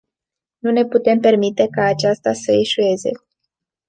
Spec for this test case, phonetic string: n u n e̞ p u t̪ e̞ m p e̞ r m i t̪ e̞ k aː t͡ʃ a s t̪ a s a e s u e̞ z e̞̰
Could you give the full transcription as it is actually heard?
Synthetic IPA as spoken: n u n e̞ p u t̪ e̞ m p e̞ r m i t̪ e̞ k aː t͡ʃ a s t̪ a s ə e ʃ u e̞ z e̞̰